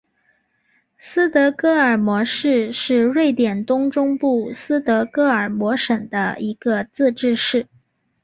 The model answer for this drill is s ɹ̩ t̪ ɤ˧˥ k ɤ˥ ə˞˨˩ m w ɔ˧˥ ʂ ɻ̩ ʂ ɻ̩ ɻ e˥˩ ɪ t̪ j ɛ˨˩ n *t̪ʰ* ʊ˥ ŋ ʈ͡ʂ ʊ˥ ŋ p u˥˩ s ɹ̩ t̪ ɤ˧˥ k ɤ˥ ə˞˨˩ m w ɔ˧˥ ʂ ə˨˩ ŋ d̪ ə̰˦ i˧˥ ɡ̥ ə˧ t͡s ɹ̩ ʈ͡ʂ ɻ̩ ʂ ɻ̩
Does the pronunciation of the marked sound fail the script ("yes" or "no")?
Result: yes